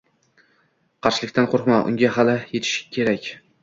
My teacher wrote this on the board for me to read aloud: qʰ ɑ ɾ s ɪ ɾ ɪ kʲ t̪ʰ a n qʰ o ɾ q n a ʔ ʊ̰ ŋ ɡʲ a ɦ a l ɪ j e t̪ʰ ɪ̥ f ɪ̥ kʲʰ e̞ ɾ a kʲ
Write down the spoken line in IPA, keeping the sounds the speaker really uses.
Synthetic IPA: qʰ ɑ ɾ ʃ ɪ l ɪ kʲ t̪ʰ a n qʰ o ɾ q m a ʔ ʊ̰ ŋ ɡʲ a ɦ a l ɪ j e t̪ʰ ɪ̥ ʃ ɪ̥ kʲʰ e̞ ɾ a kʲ